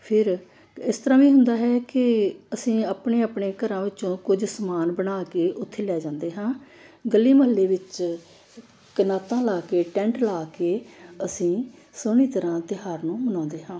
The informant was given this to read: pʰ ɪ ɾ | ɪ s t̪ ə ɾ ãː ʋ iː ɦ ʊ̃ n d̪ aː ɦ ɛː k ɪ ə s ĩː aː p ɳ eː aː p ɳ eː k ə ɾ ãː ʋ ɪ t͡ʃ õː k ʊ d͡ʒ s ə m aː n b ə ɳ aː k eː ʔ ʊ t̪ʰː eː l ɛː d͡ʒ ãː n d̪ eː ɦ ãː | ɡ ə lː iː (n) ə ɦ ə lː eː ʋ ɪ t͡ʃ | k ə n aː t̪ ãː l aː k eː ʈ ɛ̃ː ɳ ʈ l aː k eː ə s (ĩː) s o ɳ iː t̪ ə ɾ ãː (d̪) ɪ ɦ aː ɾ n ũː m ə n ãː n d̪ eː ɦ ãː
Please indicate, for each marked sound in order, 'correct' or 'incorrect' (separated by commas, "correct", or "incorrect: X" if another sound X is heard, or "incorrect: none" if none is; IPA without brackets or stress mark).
incorrect: m, correct, incorrect: t̪